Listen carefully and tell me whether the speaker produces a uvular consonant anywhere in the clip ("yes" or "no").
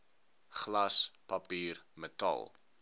yes